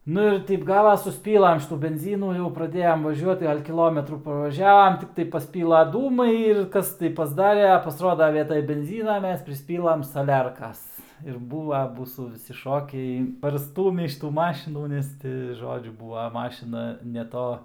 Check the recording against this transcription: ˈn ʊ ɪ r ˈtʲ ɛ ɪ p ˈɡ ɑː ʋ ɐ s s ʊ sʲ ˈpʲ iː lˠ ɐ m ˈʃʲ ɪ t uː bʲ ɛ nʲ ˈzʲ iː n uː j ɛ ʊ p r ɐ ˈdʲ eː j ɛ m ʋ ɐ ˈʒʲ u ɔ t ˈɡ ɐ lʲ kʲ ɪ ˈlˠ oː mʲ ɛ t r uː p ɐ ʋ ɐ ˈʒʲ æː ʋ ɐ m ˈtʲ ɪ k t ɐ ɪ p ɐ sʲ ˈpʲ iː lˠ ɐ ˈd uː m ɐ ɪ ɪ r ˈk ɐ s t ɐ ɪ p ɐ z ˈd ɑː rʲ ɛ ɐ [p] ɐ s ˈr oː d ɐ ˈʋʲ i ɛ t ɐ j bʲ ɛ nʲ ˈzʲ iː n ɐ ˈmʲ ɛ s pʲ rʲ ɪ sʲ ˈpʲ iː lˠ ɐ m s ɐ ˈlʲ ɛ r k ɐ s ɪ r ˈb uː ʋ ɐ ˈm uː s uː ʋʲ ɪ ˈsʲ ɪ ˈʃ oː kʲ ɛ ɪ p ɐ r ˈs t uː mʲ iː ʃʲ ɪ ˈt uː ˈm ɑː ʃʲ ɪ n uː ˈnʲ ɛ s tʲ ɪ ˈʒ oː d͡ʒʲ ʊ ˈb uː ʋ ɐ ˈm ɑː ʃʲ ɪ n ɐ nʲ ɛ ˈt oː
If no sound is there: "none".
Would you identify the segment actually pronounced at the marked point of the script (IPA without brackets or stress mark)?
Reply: p